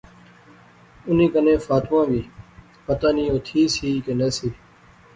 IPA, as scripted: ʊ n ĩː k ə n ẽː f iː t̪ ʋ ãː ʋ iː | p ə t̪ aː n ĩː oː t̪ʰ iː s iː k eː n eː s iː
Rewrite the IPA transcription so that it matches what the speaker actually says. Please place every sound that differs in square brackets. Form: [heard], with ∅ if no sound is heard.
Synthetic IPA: ʊ n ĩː k ə n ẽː f [aː] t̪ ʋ ãː ʋ iː | p ə t̪ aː n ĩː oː t̪ʰ iː s iː k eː n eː s iː